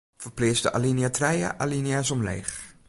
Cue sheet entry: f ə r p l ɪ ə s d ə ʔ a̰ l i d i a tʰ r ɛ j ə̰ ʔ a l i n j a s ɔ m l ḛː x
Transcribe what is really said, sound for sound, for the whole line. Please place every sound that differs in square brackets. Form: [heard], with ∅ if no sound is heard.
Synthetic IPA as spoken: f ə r p l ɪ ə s d ə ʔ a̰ l i [n] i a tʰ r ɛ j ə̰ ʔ a l i n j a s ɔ m l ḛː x